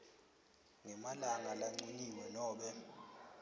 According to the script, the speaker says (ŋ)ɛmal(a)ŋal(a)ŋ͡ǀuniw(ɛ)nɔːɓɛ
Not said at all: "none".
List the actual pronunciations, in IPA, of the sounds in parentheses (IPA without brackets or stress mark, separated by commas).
ŋ, a, a, ɛ